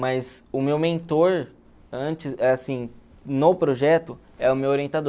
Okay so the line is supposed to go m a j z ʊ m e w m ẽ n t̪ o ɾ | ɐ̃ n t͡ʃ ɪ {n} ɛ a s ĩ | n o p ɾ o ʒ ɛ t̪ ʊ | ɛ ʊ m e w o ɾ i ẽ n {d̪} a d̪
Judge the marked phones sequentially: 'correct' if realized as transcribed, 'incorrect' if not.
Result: incorrect: none, incorrect: t̪

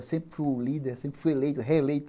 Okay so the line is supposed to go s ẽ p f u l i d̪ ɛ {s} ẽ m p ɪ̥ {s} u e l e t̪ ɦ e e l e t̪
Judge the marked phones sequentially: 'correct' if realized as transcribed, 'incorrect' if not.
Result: correct, incorrect: f

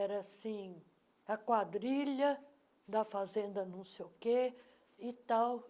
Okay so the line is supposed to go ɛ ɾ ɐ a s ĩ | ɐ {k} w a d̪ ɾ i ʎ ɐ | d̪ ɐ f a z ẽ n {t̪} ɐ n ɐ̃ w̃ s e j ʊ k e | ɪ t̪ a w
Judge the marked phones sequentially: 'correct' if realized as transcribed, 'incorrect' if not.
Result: correct, incorrect: d̪

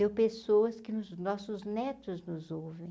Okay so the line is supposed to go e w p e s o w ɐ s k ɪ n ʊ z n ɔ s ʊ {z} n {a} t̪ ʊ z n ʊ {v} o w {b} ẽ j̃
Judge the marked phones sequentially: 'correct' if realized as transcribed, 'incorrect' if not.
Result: correct, incorrect: ɛ, incorrect: z, incorrect: v

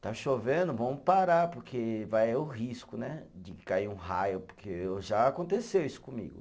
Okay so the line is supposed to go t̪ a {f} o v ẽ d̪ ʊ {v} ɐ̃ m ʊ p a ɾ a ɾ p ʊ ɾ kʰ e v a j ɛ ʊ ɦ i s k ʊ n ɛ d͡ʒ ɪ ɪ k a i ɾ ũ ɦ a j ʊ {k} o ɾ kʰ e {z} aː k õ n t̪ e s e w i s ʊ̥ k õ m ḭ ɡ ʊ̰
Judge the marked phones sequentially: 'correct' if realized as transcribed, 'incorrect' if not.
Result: incorrect: ʃ, correct, incorrect: p, incorrect: ʒ

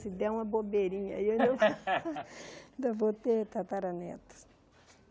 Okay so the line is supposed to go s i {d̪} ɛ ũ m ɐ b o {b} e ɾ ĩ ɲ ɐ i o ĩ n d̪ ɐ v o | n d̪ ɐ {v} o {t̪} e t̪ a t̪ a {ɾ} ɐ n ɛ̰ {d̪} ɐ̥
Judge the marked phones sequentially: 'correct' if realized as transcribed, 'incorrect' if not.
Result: correct, correct, correct, correct, correct, incorrect: t̪

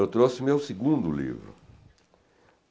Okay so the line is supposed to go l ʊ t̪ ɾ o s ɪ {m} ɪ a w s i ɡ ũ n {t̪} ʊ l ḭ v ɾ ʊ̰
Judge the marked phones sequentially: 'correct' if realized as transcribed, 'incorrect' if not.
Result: correct, incorrect: d̪

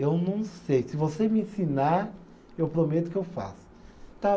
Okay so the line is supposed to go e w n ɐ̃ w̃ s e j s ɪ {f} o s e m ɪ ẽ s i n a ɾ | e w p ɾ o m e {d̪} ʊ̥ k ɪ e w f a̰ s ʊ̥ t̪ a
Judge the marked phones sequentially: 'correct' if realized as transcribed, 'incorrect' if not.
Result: incorrect: v, incorrect: t̪

